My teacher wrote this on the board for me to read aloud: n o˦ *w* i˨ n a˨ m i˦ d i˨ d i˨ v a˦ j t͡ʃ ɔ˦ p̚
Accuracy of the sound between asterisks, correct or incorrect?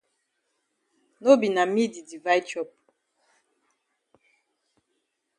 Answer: incorrect